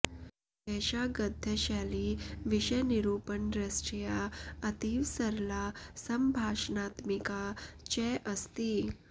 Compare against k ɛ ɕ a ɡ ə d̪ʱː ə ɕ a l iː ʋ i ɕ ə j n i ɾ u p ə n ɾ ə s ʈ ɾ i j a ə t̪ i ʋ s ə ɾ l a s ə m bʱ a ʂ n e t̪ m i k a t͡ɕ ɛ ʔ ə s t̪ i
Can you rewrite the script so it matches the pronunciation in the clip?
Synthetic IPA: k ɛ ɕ a ɡ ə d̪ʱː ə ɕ a l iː ʋ i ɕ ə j n i ɾ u p ə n ɾ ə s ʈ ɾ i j a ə t̪ i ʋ s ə ɾ l a s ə m bʱ a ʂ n a t̪ m i k a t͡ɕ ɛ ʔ ə s t̪ i